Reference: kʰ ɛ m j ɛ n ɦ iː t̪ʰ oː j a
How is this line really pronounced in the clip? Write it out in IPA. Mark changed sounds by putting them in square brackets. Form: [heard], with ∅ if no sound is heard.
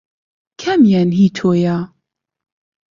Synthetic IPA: kʰ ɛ m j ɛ n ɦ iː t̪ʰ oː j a